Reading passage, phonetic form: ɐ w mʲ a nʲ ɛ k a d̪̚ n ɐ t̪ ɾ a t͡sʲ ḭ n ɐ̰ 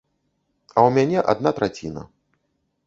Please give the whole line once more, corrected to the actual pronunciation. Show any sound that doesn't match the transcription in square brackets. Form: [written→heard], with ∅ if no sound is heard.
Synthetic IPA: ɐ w mʲ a nʲ ɛ [k→ʔ] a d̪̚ n [ɐ→a] t̪ ɾ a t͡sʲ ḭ n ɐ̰